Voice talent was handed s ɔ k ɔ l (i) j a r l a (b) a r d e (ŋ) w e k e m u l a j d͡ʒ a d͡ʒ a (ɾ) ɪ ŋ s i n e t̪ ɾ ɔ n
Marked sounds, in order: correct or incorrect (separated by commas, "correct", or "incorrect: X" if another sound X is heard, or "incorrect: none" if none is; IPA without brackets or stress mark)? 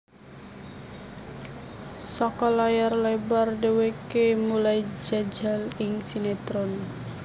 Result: incorrect: a, correct, incorrect: none, incorrect: l